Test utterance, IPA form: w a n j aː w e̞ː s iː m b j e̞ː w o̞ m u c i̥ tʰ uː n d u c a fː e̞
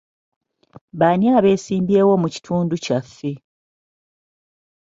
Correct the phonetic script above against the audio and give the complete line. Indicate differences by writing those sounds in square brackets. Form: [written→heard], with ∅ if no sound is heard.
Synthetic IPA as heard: [w→β] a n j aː [w→β] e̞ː s iː m b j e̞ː w o̞ m u c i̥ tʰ uː n d u c a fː e̞